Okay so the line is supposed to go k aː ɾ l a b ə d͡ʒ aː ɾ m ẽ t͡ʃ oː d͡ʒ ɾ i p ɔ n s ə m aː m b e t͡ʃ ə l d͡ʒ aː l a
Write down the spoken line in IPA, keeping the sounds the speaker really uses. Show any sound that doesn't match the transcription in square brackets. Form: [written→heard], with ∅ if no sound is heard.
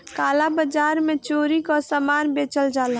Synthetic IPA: k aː [ɾ→∅] l a b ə d͡ʒ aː ɾ m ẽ t͡ʃ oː [d͡ʒ→∅] ɾ i [p→k] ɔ [n→∅] s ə m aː [m→n] b e t͡ʃ ə l d͡ʒ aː l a